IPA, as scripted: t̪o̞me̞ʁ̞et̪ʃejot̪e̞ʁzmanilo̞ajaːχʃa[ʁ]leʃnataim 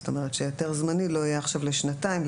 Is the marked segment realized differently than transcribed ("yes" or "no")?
yes